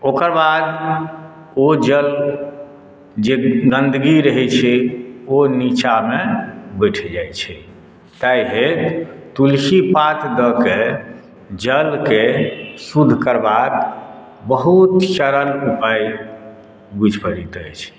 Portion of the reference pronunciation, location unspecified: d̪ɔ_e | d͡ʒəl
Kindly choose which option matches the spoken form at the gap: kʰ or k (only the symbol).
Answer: k